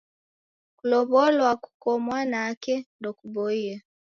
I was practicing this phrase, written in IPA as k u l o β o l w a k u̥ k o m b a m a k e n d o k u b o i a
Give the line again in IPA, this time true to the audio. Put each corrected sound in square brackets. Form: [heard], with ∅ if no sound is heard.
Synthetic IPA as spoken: k u l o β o l w a k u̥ k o m [w] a [n] a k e n d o k u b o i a

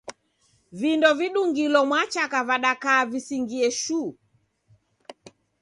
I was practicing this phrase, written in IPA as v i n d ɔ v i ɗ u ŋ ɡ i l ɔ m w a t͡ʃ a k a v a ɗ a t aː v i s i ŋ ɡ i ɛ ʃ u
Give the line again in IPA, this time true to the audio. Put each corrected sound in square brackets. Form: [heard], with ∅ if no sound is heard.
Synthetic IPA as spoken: v i n d ɔ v i ɗ u ŋ ɡ i l ɔ m w a t͡ʃ a k a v a ɗ a [k] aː v i s i ŋ ɡ i ɛ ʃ u

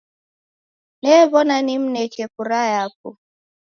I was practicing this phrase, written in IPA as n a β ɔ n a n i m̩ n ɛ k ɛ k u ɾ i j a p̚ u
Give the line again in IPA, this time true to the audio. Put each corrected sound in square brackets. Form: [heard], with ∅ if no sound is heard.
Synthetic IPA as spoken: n [ɛ] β ɔ n a n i m̩ n ɛ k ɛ k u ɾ [a] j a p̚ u

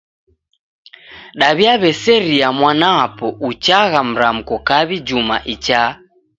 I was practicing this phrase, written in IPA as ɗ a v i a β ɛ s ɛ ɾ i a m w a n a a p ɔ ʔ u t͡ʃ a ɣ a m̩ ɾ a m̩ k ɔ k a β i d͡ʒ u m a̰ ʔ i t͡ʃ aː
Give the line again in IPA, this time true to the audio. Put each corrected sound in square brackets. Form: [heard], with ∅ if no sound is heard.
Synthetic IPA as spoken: ɗ a [β] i a β ɛ s ɛ ɾ i a m w a n a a p ɔ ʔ u t͡ʃ a ɣ a m̩ ɾ a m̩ k ɔ k a β i d͡ʒ u m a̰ ʔ i t͡ʃ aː

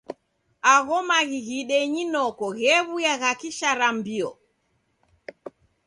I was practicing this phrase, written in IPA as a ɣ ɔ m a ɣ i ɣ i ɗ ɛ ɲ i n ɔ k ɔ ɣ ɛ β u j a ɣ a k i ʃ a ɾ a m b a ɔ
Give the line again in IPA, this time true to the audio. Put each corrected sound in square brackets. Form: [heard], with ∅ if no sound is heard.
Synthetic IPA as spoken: a ɣ ɔ m a ɣ i ɣ i ɗ ɛ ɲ i n ɔ k ɔ ɣ ɛ β u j a ɣ a k i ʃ a ɾ a m b [i] ɔ

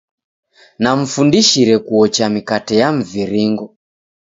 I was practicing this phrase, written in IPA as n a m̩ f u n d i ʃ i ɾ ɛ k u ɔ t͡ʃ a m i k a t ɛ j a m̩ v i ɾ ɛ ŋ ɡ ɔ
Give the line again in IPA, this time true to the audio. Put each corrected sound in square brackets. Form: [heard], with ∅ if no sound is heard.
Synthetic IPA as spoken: n a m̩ f u n d i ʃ i ɾ ɛ k u ɔ t͡ʃ a m i k a t ɛ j a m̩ v i ɾ [i] ŋ ɡ ɔ

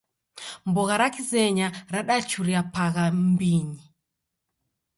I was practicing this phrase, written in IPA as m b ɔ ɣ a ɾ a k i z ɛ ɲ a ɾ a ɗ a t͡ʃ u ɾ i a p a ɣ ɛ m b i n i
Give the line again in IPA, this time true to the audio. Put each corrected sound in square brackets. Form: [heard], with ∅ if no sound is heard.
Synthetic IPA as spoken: m b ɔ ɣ a ɾ a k i z ɛ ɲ a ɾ a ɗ a t͡ʃ u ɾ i a p a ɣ [a] m b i [ɲ] i

